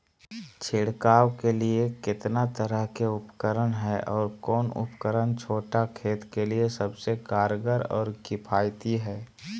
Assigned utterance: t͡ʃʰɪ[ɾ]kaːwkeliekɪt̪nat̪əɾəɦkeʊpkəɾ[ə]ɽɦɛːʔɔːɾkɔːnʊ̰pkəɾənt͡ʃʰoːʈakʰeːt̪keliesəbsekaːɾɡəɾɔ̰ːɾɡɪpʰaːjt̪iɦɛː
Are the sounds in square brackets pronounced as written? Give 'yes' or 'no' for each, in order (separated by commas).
no, yes